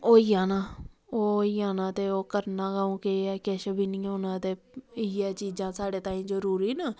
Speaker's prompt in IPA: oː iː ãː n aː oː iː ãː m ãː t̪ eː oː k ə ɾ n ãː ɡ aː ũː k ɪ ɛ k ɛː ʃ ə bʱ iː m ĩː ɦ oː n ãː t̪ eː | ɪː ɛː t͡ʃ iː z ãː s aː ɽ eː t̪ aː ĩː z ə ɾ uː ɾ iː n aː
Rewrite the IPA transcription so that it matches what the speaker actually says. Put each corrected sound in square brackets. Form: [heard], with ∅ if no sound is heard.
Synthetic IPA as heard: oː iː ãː n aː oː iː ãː [n] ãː t̪ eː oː k ə ɾ n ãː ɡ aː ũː k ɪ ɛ k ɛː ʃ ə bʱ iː [n] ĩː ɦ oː n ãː t̪ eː | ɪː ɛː t͡ʃ iː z ãː s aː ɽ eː t̪ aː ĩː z ə ɾ uː ɾ iː n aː